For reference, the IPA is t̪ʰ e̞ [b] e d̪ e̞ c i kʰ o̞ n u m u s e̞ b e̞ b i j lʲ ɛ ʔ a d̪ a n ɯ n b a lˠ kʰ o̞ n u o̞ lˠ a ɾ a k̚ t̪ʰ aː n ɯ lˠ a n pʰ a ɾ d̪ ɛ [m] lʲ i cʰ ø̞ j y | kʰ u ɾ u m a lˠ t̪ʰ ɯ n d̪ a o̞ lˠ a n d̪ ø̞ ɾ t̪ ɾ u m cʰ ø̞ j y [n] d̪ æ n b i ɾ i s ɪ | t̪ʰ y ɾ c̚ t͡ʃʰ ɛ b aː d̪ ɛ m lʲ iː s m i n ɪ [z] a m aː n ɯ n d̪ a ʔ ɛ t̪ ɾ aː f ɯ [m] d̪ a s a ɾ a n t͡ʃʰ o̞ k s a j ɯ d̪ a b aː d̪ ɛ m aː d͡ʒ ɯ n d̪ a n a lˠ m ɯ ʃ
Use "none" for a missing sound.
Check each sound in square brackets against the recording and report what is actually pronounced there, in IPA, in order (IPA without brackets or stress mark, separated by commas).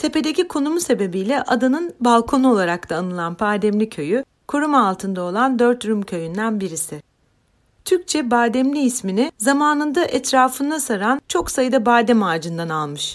p, m, n, z, n